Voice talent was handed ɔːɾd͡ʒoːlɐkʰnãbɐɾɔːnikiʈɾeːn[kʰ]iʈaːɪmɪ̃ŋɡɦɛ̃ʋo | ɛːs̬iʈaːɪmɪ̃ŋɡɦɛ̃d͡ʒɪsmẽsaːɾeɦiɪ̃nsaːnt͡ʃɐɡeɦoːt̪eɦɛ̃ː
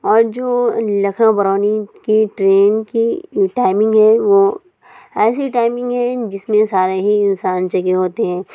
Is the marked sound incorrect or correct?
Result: incorrect